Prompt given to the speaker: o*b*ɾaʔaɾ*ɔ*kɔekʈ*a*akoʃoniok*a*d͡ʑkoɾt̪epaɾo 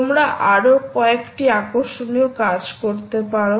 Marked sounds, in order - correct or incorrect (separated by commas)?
incorrect, incorrect, incorrect, correct